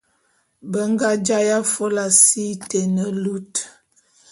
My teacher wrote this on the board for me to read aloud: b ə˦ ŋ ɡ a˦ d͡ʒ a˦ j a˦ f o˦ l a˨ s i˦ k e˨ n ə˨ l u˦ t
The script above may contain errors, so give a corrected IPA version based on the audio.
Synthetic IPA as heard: b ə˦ ŋ ɡ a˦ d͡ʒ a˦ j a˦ f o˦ l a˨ s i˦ t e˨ n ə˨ l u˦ t